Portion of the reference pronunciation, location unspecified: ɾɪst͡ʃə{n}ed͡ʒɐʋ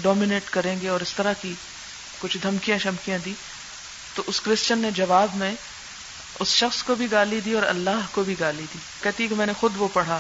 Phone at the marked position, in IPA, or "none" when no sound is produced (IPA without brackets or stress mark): nː